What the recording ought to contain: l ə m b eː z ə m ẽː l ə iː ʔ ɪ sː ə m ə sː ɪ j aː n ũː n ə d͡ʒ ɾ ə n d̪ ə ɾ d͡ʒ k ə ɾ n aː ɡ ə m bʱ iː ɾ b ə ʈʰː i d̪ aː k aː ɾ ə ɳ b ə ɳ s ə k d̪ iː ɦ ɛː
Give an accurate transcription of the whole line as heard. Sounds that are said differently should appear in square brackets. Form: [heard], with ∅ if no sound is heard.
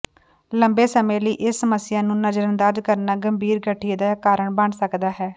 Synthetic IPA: l ə m b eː [s] ə m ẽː l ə iː ʔ ɪ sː ə m ə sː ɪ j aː n ũː n ə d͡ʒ ɾ ə n d̪ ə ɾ d͡ʒ k ə ɾ n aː ɡ ə m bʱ iː ɾ [ɡ] ə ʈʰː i d̪ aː k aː ɾ ə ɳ b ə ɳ s ə k d̪ [aː] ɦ ɛː